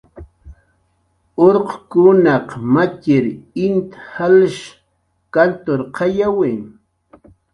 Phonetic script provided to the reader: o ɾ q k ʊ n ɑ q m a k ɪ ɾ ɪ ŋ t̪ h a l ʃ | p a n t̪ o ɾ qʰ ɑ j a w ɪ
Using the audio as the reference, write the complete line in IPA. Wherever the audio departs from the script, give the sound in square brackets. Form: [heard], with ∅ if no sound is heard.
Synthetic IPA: o ɾ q k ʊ n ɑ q m a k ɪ ɾ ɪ [n] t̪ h a l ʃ | [k] a n t̪ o ɾ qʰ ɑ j a w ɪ